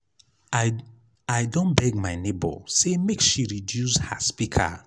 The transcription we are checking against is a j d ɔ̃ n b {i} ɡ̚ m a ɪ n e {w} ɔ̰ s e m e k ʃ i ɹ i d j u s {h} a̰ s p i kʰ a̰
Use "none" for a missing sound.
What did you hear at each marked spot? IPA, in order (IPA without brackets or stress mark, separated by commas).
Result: ɛ, b, h